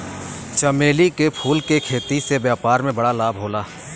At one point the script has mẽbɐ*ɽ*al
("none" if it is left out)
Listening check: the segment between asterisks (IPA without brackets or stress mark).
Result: ɽ